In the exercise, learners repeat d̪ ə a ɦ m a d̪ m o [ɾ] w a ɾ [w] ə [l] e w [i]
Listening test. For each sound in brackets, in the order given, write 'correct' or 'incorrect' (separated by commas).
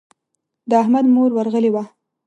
correct, incorrect, correct, incorrect